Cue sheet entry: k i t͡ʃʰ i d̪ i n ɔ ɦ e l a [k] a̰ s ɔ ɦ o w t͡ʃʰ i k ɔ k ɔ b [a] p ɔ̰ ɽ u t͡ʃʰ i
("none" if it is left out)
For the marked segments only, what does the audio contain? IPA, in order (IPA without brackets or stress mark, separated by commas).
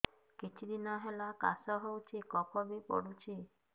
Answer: k, i